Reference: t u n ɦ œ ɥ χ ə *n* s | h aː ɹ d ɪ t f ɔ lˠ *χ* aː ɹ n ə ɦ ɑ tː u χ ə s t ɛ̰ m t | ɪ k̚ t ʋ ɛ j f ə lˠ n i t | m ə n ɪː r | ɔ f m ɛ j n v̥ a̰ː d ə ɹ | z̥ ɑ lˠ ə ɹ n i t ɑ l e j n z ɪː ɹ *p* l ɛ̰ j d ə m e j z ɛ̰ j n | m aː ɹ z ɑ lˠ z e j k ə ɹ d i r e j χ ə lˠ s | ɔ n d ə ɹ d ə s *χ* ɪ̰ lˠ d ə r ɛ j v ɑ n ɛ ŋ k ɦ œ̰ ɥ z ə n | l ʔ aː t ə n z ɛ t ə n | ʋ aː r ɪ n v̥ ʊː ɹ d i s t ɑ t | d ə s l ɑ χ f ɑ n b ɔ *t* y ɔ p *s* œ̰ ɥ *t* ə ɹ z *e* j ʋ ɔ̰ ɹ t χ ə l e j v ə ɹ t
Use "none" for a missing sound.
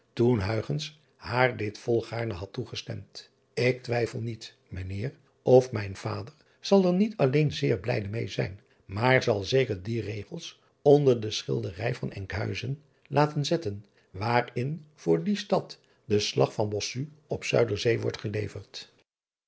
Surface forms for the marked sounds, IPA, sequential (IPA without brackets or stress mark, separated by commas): n, χ, b, χ, s, s, d, e